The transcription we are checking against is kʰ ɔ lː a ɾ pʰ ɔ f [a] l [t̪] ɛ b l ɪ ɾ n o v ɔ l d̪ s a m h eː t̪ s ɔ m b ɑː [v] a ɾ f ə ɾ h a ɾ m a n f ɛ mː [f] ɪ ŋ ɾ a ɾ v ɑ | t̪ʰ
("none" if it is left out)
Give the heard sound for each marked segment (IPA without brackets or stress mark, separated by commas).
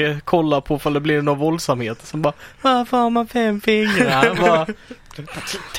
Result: a, d̪, v, f